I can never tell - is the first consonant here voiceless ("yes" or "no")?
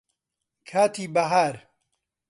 yes